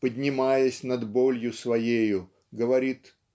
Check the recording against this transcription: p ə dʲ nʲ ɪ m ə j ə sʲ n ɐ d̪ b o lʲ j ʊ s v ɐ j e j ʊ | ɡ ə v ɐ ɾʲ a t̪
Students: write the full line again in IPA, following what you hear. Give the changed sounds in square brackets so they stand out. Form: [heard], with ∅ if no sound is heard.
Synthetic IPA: p ə dʲ nʲ ɪ m [a] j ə sʲ n ɐ d̪ b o lʲ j ʊ s v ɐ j e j ʊ | ɡ ə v ɐ ɾʲ [i] t̪